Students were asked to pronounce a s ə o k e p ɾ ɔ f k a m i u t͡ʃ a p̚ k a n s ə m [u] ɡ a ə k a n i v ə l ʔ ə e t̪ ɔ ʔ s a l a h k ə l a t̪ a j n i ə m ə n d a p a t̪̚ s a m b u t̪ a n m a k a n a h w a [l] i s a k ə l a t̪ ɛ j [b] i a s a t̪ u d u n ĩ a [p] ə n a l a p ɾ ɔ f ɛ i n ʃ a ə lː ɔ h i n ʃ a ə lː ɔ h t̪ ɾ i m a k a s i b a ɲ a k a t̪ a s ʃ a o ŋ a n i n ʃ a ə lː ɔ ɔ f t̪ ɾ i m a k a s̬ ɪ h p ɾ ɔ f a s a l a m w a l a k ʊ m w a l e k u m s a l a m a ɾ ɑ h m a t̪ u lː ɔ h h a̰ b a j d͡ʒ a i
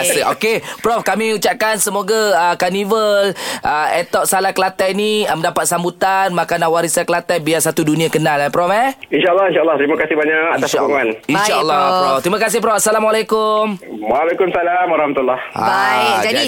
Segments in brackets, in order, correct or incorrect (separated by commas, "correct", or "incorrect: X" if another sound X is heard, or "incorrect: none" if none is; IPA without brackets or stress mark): incorrect: o, incorrect: ɾ, correct, incorrect: k